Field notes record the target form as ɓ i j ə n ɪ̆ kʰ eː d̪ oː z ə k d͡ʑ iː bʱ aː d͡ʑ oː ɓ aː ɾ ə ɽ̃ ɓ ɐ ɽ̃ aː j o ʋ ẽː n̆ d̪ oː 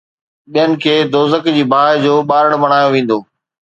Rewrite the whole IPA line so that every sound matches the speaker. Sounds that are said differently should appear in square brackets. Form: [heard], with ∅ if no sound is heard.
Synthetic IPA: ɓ i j ə n ɪ̆ kʰ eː d̪ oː z ə k d͡ʑ iː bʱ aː d͡ʑ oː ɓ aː ɾ ə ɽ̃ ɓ ɐ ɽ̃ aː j o ʋ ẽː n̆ d̪ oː

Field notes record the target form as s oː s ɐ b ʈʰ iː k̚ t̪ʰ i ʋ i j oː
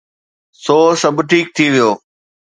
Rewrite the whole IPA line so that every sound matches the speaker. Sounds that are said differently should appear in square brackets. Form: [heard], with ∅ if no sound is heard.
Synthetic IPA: s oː s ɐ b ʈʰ iː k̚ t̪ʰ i ʋ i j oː

